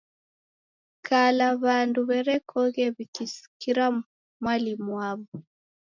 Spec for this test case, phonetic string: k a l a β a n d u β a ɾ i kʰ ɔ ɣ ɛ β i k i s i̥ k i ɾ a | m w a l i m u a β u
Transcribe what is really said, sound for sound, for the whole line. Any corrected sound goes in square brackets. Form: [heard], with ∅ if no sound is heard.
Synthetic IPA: k a l a β a n d u β [ɛ] ɾ [ɛ] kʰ ɔ ɣ ɛ β i k i s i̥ k i ɾ a | m w a l i m u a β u